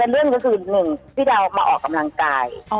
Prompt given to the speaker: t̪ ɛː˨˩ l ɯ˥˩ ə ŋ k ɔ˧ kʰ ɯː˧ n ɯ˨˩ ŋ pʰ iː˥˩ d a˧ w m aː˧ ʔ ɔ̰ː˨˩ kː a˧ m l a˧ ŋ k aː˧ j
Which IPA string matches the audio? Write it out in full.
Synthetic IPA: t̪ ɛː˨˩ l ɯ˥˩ ə ŋ k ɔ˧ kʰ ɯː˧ n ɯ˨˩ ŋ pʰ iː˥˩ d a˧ w m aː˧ ʔ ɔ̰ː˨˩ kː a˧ m l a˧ ŋ k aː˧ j